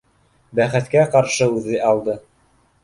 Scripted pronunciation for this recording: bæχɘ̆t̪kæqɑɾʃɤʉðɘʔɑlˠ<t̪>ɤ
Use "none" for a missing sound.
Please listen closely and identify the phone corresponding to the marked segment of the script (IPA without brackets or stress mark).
d̪